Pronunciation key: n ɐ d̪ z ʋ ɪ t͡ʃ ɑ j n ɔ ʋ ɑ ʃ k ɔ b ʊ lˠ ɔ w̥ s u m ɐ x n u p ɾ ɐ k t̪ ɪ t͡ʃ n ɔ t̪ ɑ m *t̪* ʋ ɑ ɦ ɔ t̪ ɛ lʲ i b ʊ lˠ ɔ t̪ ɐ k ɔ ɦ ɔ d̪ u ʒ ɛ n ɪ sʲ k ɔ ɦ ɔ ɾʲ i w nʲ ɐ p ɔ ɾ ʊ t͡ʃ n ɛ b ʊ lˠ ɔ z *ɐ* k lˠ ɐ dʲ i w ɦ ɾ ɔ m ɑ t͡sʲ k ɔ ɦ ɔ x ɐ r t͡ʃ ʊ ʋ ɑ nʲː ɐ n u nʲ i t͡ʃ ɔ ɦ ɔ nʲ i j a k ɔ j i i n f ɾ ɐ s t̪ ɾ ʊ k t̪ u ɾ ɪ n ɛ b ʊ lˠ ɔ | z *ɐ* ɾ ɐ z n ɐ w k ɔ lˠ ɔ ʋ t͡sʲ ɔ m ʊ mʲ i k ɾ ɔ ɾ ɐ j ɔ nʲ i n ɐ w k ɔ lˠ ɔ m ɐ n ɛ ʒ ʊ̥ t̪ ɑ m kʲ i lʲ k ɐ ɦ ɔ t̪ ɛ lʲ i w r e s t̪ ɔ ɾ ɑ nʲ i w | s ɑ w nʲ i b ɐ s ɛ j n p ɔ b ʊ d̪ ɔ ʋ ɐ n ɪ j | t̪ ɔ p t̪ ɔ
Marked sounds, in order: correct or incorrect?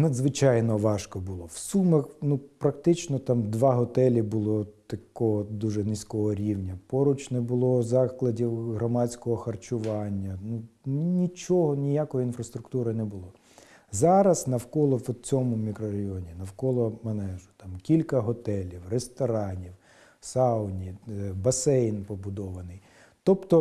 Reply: incorrect: d̪, incorrect: ɑ, incorrect: ɑ

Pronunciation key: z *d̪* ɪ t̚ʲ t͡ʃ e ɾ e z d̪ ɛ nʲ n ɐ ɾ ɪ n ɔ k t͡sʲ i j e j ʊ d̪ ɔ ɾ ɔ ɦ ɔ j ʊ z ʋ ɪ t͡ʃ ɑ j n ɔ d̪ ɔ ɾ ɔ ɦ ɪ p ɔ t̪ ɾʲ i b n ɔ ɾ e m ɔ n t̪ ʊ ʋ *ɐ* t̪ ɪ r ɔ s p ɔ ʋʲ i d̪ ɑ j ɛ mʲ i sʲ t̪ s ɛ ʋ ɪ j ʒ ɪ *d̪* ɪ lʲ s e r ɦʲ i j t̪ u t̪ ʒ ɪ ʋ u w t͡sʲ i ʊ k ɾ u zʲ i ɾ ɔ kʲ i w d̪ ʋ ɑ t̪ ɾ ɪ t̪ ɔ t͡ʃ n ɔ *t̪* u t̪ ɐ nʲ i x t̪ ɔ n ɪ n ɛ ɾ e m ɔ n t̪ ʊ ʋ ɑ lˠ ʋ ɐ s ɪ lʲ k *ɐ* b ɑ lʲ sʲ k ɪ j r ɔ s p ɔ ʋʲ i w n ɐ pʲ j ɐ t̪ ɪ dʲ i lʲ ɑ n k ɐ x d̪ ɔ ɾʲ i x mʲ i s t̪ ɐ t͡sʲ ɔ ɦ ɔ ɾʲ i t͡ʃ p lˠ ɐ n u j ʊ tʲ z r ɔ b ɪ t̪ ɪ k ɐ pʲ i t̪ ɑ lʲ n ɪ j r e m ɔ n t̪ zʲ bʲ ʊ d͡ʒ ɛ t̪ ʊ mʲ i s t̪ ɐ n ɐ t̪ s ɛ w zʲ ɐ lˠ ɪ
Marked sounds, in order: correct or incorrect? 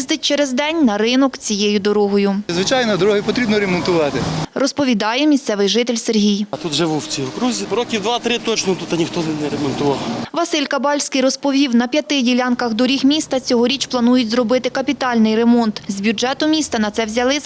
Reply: correct, incorrect: ɑ, incorrect: t̪, correct, correct

